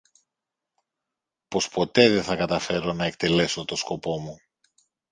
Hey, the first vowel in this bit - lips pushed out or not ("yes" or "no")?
yes